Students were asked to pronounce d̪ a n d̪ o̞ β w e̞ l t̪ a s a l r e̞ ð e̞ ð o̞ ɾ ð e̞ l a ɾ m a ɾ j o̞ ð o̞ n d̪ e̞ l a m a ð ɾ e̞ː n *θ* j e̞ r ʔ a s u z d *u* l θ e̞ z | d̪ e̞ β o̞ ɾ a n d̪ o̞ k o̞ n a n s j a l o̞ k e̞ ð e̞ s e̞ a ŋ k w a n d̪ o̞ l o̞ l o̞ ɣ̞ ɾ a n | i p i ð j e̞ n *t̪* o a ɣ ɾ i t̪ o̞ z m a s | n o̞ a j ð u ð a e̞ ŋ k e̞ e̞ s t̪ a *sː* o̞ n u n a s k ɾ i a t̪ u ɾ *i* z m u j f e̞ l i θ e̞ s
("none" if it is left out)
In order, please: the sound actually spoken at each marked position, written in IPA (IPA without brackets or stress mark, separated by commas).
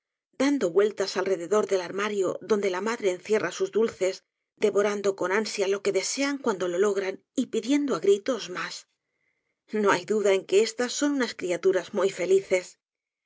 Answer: θ, u, d̪, sː, a